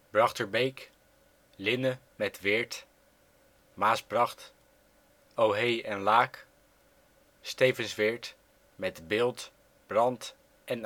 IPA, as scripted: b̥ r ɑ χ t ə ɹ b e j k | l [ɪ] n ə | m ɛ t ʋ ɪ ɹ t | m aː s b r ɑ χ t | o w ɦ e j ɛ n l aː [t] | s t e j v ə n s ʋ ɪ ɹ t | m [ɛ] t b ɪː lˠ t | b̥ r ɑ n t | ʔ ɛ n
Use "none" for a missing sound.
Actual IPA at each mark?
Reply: ɪ, k, ɛ

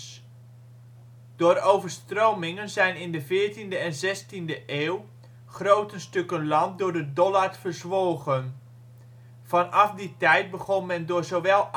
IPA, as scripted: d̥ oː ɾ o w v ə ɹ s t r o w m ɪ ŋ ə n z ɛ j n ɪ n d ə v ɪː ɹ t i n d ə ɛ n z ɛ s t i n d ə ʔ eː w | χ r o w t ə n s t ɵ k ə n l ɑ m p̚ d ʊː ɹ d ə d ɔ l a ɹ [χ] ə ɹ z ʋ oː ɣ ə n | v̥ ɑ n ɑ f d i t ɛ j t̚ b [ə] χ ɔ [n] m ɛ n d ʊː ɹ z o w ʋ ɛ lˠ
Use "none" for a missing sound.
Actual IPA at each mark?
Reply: f, ə, n

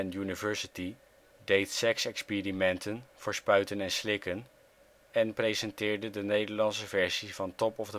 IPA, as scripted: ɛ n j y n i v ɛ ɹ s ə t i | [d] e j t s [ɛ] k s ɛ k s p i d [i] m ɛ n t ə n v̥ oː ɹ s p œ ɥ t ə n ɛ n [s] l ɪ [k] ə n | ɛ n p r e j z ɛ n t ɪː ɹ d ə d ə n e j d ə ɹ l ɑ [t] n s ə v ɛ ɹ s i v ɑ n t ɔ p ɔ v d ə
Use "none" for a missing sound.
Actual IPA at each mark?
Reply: d, ɛ, i, s, k, none

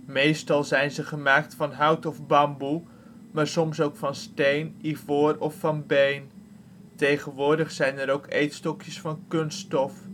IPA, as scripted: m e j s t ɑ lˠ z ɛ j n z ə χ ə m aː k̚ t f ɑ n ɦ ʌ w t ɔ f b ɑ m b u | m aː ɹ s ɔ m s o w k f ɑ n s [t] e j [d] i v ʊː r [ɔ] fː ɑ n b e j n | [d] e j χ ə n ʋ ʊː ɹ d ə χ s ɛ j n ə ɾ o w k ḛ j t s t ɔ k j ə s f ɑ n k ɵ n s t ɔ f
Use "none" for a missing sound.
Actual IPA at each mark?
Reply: t, n, ɔ, t

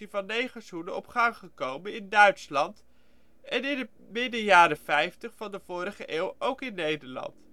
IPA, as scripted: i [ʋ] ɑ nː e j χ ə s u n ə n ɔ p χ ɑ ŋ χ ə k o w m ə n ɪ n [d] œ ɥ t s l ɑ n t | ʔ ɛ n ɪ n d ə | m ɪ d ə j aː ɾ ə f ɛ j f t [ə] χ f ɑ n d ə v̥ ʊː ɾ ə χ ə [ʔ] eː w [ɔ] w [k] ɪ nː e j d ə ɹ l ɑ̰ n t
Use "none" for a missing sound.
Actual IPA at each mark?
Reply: v, d, ə, ʔ, o, k

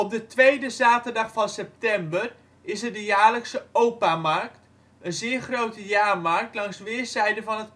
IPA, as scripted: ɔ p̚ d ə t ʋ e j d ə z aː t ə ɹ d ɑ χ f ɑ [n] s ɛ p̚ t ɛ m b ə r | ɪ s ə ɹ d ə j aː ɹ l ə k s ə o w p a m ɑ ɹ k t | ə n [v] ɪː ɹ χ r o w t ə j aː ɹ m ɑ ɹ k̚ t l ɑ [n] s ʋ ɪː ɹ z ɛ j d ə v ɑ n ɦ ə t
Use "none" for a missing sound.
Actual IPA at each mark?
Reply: n, z, ŋ

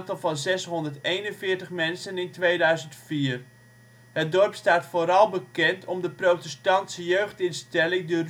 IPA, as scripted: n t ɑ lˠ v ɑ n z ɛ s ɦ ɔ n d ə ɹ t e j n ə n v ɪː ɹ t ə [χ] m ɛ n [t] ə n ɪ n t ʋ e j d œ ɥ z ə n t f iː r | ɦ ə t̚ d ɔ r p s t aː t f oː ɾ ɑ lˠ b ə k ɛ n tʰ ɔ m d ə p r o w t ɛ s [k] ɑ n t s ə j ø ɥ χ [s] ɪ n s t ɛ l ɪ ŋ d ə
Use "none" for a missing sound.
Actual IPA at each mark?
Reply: χ, s, t, t

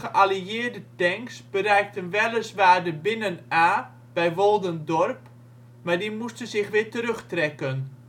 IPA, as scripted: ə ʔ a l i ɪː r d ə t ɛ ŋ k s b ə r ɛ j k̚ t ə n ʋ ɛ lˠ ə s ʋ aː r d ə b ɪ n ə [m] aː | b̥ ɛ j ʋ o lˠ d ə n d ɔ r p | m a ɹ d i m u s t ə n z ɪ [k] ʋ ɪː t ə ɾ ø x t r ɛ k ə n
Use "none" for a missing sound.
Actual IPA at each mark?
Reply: n, x

